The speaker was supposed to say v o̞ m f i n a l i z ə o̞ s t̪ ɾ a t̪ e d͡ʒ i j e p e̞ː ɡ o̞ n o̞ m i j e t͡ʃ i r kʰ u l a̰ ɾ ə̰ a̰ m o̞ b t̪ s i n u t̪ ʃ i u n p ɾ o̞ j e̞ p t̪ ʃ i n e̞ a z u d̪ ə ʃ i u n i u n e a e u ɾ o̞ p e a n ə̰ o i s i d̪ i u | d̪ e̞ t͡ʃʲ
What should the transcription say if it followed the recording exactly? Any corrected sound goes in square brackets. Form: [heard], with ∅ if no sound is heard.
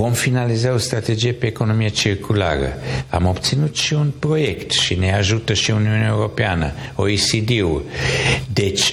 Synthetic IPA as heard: v o̞ m f i n a l i z [a] o̞ s t̪ ɾ a t̪ e d͡ʒ i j e p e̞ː [k] o̞ n o̞ m i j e t͡ʃ i r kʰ u l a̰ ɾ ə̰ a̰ m o̞ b t̪ s i n u t̪ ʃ i u n p ɾ o̞ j e̞ [k] t̪ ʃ i n e̞ a [ʒ] u [t̪] ə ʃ i u n i u n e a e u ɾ o̞ p e a n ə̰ o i s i d̪ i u | d̪ e̞ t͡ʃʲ